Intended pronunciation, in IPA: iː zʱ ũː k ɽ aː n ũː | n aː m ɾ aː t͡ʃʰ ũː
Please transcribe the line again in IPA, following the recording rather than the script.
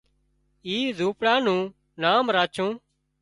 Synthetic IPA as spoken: iː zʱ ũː p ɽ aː n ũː | n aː m ɾ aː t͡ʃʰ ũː